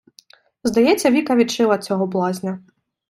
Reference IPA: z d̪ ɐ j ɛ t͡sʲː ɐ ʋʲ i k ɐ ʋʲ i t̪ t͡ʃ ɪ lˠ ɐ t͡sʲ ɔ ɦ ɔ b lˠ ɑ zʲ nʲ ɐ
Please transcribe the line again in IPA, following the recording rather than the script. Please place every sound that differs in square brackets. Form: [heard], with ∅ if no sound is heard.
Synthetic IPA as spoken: z d̪ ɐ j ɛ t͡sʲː ɐ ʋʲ i k ɐ ʋʲ i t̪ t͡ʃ ɪ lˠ ɐ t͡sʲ ɔ ɦ ɔ b lˠ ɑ zʲ nʲ ɐ